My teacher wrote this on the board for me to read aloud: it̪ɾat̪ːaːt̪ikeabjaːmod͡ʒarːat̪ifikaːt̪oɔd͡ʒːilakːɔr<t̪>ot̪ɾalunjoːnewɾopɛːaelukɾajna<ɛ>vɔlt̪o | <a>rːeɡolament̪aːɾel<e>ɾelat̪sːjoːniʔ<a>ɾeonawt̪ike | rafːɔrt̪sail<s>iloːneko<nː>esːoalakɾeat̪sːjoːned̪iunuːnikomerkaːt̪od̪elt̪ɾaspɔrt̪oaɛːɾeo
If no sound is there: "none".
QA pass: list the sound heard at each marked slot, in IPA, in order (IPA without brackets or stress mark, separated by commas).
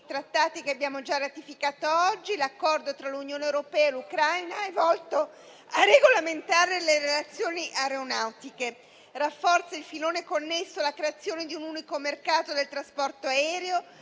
d̪, ɛ, a, e, a, f, nː